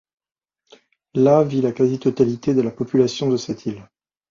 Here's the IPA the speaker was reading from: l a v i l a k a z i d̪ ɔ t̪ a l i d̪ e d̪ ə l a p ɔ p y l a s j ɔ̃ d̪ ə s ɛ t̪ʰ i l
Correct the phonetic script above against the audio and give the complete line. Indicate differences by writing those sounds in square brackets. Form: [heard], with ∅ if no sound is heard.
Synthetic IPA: l a v i l a k a z i [t̪] ɔ t̪ a l i [t̪] e d̪ ə l a p ɔ p y l a s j ɔ̃ d̪ ə s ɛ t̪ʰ i l